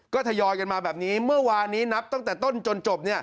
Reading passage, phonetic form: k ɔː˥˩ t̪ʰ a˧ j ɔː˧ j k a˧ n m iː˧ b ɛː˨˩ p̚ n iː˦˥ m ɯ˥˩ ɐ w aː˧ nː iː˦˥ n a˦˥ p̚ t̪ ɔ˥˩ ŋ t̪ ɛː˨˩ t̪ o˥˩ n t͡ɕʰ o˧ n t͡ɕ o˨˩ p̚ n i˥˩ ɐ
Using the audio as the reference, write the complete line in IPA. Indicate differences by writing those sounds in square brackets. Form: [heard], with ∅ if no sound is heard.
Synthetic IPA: k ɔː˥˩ t̪ʰ a˧ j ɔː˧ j k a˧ n m [aː˧] b ɛː˨˩ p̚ n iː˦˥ m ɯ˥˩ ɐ w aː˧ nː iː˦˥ n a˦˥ p̚ t̪ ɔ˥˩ ŋ t̪ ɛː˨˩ t̪ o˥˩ n [t͡ɕ] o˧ n t͡ɕ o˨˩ p̚ n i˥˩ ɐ